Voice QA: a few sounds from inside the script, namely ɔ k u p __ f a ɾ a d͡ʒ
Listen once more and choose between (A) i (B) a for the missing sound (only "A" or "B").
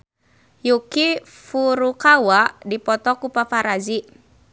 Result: B